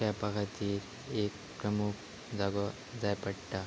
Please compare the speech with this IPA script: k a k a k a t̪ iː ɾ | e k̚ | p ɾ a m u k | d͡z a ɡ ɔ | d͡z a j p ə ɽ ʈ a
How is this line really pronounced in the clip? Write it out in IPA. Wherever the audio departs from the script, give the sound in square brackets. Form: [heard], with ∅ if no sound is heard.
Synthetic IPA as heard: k a [p] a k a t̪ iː ɾ | e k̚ | p ɾ [ə] m u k | d͡z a ɡ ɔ | d͡z a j p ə ɽ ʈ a